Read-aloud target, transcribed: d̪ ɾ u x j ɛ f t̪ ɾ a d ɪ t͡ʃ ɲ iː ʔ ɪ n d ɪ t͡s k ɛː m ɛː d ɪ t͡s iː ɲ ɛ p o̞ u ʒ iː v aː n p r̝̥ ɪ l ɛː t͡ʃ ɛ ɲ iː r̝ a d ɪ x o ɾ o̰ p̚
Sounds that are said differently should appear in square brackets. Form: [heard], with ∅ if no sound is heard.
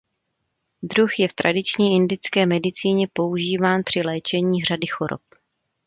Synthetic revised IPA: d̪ ɾ u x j ɛ f t̪ ɾ a d ɪ t͡ʃ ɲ iː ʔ ɪ n d ɪ t͡s k ɛː m [ɛ] d ɪ t͡s iː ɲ ɛ p o̞ u ʒ iː v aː n p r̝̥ ɪ l ɛː t͡ʃ ɛ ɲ iː r̝ a d ɪ x o ɾ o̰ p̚